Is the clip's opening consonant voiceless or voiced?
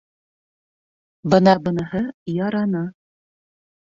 voiced